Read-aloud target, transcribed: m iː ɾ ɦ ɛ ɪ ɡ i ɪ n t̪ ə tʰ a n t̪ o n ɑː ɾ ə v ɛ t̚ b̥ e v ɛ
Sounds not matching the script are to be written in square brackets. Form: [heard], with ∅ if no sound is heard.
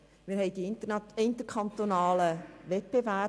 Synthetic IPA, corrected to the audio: m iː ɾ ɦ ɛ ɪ [d] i ɪ n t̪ ə [kʰ] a n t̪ o n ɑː [l] ə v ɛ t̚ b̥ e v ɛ

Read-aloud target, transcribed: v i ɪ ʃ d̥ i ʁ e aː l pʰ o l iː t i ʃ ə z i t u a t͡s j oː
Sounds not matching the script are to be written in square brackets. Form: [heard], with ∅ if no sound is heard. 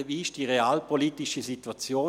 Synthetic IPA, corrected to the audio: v i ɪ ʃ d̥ i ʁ e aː l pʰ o l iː t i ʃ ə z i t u a t͡s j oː

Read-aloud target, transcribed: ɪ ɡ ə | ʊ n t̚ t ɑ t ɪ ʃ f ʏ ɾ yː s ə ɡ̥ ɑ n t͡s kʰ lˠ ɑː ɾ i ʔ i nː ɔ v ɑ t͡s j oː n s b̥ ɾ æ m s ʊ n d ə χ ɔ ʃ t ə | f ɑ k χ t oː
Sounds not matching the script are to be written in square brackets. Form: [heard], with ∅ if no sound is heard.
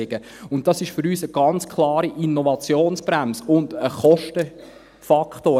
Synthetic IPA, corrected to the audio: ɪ ɡ ə | ʊ n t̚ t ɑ [s] ɪ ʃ f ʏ ɾ yː s ə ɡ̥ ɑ n t͡s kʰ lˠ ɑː ɾ i ʔ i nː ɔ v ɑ t͡s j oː n s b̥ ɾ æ m s ʊ n d ə χ ɔ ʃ t ə | f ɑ k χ t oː

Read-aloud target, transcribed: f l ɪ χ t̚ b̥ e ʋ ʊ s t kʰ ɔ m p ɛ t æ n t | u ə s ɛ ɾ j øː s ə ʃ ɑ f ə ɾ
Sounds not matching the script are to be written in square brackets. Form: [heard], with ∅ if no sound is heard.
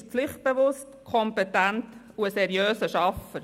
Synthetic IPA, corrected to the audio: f l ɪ χ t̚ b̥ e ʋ ʊ s t kʰ ɔ m p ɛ t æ n t | u ə s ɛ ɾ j øː s ə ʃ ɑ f ə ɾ

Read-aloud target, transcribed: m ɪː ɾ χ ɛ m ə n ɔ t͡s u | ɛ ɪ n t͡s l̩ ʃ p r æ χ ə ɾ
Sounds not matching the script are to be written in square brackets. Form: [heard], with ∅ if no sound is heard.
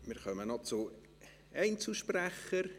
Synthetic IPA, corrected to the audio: m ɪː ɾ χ [œ] m ə n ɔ t͡s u | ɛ ɪ n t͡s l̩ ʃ p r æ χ ə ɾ

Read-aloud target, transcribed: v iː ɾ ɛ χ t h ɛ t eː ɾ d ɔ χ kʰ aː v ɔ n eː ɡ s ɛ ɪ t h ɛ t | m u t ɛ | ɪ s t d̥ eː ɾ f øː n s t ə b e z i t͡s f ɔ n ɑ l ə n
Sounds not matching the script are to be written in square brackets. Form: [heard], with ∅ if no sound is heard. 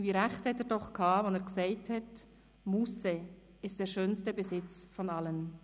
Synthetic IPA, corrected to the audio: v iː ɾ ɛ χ t h ɛ t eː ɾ d ɔ χ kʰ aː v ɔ n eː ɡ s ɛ ɪ t h ɛ t | m u [s] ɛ | ɪ s t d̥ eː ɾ [ʃ] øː n s t ə b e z [ɪ] t͡s f ɔ n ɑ l ə n

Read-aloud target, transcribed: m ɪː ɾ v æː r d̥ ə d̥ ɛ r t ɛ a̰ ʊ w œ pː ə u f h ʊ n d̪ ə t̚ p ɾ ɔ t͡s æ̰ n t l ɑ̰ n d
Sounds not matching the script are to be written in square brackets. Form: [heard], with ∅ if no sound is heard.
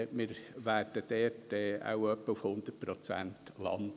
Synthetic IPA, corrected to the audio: m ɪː ɾ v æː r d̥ ə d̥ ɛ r t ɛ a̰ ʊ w œ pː ə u f h ʊ n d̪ ə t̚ p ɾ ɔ t͡s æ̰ n t l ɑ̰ n d

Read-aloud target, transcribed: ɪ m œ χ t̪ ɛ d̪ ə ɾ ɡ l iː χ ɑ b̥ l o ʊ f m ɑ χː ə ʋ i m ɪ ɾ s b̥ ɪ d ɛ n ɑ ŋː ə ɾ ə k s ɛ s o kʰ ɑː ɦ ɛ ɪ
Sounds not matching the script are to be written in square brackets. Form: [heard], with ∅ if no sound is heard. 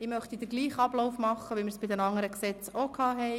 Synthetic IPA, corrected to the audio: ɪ m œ χ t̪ [i] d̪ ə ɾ ɡ l iː χ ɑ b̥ l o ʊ f m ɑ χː ə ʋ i m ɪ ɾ s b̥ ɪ d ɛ n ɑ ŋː ə ɾ ə k s ɛ [t͡s] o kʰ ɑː ɦ ɛ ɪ

